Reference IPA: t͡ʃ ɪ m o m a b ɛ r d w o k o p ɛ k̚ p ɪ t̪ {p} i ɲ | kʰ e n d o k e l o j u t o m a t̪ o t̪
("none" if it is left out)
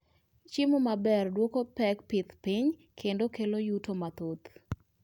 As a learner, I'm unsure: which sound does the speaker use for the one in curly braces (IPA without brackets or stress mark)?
p